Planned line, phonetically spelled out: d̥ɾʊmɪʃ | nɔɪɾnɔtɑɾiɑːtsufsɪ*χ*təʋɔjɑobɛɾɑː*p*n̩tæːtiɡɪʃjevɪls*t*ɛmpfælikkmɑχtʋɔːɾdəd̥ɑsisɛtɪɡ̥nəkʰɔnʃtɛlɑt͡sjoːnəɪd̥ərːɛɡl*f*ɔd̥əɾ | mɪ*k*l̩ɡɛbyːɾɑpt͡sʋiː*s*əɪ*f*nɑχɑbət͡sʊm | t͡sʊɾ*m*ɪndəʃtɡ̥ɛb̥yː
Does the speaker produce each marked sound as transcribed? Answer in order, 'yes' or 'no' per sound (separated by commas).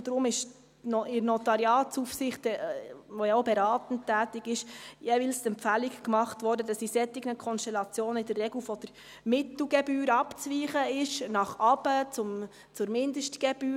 yes, no, yes, yes, no, no, no, yes